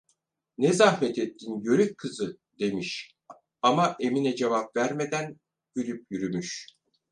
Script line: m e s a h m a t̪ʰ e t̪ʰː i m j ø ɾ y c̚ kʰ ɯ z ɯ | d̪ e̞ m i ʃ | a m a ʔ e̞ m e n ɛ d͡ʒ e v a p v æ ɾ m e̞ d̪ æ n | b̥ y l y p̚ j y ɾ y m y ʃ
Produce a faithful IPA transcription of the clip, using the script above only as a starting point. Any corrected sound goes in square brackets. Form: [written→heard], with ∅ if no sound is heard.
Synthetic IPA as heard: [m→n] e [s→z] a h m [a→ɛ] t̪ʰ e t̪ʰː i [m→n] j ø ɾ y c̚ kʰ ɯ z ɯ | d̪ e̞ m i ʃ | a m a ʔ e̞ m [e→i] n ɛ d͡ʒ e v a p v æ ɾ m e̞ d̪ æ n | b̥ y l y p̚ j y ɾ y m y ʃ